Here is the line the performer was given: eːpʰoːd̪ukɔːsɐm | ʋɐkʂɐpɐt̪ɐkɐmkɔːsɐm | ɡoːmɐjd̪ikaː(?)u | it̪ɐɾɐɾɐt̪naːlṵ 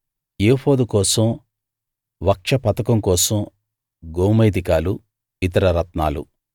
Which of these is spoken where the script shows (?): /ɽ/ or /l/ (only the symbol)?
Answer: l